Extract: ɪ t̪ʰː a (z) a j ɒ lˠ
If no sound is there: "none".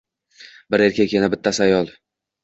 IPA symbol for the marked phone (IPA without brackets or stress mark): s